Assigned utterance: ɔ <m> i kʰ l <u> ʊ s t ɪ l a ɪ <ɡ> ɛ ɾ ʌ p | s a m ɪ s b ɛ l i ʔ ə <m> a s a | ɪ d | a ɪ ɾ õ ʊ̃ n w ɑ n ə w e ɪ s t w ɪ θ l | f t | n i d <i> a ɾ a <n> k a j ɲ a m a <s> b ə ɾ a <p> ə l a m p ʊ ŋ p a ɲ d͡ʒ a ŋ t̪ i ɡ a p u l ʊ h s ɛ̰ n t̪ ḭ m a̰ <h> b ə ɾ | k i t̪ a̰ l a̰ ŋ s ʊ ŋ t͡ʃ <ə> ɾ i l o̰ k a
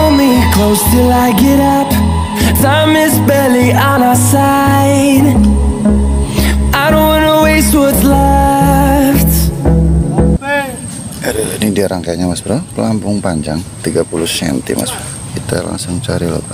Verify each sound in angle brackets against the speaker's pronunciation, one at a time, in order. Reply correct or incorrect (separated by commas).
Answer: correct, incorrect, correct, incorrect, correct, incorrect, correct, correct, incorrect, incorrect